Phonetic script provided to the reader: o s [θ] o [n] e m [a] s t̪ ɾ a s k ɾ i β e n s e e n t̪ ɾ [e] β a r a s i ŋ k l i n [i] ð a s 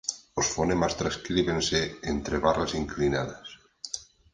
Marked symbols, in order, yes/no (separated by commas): no, yes, yes, yes, no